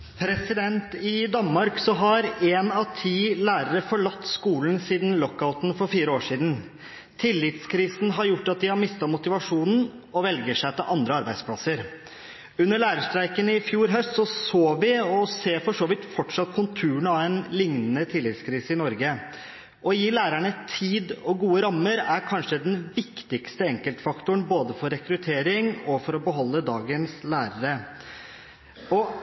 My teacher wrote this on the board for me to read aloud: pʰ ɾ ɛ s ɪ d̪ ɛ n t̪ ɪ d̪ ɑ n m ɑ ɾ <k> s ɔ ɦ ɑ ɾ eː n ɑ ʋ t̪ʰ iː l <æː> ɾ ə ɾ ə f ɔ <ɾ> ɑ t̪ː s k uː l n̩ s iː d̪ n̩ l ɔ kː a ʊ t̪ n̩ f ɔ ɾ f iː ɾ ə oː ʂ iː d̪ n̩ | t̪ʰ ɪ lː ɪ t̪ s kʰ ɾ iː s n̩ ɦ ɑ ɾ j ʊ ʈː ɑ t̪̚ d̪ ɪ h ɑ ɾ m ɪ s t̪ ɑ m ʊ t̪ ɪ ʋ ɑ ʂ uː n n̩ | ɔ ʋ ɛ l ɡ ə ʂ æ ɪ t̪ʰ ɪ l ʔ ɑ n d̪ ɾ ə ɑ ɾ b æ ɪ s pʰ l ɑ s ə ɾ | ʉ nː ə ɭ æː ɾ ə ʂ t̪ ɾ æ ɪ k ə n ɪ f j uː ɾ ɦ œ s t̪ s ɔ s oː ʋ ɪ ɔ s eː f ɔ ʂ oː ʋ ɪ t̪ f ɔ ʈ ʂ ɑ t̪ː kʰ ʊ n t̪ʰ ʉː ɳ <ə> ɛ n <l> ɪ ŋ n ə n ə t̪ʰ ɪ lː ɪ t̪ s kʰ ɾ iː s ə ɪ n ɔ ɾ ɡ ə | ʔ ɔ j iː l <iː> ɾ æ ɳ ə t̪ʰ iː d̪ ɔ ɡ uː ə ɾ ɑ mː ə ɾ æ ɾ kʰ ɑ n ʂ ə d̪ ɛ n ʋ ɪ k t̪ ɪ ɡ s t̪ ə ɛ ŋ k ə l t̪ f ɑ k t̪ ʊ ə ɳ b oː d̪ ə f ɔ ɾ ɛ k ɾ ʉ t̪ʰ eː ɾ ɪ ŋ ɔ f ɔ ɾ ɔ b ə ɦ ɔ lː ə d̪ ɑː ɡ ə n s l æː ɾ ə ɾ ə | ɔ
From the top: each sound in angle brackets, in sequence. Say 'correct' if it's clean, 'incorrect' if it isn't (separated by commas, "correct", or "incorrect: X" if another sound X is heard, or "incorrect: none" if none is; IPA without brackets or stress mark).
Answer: correct, correct, incorrect: ɭ, incorrect: ɑ, correct, incorrect: æː